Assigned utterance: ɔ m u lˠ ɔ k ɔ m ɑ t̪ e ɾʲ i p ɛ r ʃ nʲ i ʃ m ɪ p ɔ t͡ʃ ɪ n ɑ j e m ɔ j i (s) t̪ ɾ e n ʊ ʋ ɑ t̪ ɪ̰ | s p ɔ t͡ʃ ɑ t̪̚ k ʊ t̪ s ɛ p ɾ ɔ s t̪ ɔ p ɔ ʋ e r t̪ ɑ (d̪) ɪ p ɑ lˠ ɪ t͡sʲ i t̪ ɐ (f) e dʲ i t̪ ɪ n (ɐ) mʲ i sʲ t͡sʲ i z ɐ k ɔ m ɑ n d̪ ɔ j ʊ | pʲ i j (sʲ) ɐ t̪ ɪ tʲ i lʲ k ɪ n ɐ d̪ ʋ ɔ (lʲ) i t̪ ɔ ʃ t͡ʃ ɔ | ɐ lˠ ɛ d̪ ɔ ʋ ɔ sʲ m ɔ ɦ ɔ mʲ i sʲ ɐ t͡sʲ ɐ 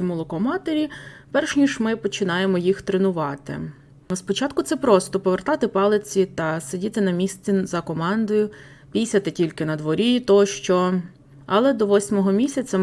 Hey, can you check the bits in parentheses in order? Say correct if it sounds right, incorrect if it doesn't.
incorrect: x, incorrect: t̪, incorrect: s, correct, correct, incorrect: ɾʲ

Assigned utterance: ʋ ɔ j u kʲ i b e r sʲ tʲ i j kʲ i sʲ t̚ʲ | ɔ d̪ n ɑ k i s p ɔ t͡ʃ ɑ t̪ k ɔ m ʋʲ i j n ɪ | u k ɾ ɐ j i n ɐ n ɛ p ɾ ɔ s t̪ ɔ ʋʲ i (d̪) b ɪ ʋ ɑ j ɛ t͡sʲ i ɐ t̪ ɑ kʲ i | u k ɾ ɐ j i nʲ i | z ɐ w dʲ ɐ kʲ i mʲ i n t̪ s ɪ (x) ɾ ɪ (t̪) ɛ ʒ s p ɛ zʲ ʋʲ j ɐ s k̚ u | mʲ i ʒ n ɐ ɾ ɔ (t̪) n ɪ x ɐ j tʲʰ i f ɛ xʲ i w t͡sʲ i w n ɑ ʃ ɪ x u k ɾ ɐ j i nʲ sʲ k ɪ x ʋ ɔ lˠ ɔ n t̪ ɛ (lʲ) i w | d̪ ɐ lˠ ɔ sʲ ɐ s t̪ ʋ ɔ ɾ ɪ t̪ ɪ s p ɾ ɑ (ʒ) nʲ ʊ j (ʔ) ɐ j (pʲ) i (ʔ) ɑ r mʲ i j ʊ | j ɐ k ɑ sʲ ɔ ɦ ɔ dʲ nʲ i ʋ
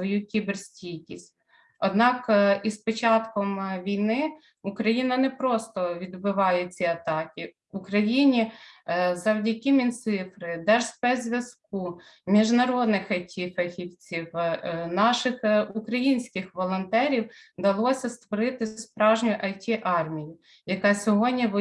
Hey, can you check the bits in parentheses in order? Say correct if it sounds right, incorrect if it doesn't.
correct, incorrect: f, incorrect: d̪, incorrect: d̪, incorrect: ɾʲ, correct, correct, incorrect: tʲ, correct

